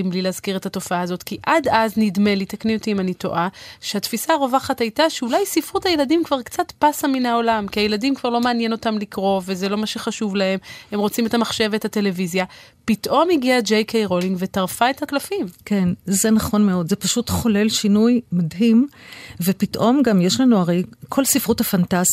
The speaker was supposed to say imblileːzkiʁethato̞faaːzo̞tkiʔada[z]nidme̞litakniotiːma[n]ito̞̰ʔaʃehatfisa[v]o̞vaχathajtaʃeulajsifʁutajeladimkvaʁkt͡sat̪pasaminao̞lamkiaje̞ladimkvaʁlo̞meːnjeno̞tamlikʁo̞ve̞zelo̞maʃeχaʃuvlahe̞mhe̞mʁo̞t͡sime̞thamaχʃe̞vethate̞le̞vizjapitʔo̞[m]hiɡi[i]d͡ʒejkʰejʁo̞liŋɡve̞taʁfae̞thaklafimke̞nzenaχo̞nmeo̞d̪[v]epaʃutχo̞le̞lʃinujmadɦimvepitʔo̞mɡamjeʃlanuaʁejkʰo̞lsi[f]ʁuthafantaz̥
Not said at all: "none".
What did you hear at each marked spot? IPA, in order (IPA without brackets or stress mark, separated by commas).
z, n, ʁ, m, a, z, f